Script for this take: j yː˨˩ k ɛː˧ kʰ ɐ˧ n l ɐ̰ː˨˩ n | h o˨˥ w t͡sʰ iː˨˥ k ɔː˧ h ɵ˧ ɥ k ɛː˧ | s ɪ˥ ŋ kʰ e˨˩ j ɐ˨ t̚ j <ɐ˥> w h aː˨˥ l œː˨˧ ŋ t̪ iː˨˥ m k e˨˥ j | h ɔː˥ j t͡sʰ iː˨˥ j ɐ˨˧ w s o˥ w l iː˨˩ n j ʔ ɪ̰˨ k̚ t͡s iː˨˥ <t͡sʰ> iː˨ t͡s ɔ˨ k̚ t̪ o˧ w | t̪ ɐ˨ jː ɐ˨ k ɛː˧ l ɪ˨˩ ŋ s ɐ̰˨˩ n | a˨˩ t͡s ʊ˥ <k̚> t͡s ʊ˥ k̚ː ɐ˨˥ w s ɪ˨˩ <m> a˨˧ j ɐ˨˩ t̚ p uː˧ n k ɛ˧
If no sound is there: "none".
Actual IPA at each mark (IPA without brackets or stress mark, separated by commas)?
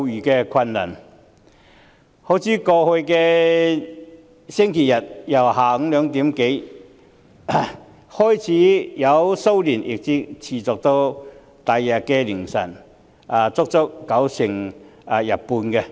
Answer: ɐ˨˩, t͡sʰ, k̚, ŋ